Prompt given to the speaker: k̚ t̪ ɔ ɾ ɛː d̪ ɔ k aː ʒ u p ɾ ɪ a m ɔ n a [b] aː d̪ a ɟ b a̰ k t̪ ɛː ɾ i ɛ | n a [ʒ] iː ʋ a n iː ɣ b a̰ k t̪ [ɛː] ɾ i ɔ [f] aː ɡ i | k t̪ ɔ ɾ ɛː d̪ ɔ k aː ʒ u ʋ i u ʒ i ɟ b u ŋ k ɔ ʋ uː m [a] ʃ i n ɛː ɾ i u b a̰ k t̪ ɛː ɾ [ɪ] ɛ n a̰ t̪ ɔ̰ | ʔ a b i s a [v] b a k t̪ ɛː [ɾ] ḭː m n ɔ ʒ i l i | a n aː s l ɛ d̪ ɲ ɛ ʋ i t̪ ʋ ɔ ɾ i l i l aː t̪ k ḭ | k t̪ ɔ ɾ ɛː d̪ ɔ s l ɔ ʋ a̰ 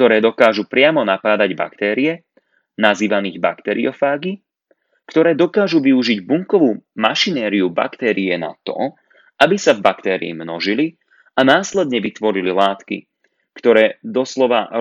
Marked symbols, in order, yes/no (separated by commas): no, no, no, yes, yes, no, yes, yes